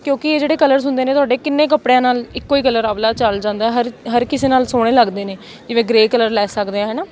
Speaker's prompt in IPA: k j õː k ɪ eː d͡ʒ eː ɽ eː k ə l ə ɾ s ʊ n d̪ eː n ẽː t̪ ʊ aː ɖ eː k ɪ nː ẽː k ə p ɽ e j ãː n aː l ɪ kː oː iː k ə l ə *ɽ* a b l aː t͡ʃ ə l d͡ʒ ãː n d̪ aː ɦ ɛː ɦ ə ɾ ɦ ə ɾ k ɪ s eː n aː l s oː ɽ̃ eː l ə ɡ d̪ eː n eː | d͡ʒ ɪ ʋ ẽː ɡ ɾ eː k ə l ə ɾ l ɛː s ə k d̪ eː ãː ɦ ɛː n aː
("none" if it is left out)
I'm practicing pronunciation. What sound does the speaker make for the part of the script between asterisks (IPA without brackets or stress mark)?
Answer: ɾ